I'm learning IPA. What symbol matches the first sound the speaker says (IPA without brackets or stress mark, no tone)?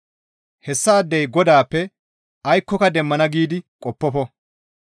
h